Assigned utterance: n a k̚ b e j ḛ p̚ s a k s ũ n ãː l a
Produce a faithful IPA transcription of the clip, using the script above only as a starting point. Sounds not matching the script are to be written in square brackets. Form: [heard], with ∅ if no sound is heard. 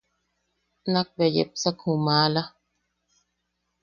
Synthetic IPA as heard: n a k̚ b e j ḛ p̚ s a k [h] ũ [m] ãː l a